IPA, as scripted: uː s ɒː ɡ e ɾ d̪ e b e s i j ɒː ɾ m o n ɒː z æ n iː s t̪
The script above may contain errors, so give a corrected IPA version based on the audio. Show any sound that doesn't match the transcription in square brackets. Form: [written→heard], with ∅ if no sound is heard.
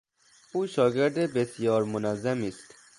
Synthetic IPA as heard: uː [s→ʃ] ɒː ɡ e ɾ d̪ e b e s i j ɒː ɾ m o n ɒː z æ [n→m] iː s t̪